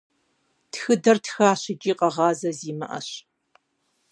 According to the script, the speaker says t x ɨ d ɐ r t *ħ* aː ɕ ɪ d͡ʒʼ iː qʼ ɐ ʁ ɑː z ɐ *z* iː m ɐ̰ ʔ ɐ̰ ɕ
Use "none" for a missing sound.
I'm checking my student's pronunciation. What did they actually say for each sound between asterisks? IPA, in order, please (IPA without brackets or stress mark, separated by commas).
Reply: x, z